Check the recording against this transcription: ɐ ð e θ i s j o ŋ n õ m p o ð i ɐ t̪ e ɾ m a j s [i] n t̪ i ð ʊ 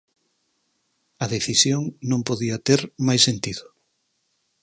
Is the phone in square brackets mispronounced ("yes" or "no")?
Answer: yes